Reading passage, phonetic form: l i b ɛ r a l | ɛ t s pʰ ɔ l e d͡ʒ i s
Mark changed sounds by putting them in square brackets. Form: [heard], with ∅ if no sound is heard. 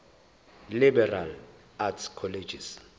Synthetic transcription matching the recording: l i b ɛ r a l | [a] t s [kʰ] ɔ l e d͡ʒ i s